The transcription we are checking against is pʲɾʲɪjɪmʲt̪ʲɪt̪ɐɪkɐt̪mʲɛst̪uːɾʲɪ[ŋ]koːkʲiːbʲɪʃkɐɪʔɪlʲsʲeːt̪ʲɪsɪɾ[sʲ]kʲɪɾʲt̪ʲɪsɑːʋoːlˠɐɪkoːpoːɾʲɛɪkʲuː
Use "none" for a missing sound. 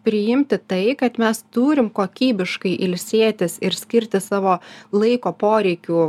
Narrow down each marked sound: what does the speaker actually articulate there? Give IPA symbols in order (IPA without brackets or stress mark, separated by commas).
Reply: m, sʲ